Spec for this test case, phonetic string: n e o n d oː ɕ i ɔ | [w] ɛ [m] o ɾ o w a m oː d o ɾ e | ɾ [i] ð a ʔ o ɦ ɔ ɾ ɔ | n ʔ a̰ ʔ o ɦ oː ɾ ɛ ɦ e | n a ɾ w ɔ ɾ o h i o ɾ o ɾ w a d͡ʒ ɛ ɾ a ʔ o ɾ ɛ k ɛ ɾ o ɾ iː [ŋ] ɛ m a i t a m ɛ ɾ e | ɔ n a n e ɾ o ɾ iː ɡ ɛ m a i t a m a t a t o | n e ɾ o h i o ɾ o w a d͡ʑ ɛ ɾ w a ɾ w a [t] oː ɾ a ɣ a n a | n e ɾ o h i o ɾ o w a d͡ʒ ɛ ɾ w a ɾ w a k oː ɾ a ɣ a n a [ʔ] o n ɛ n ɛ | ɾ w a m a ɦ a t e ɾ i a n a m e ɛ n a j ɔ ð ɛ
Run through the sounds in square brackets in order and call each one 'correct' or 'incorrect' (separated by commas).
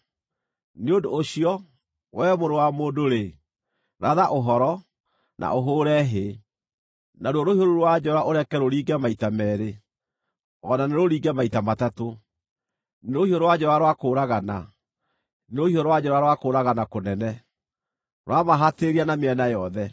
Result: correct, correct, incorrect, incorrect, incorrect, incorrect